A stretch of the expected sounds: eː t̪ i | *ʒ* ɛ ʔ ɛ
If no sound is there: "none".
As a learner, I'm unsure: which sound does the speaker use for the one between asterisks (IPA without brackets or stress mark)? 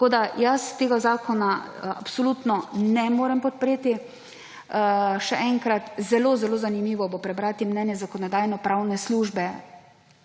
ʃ